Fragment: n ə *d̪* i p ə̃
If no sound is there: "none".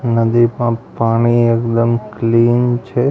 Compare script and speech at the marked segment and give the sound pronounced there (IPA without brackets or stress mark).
d̪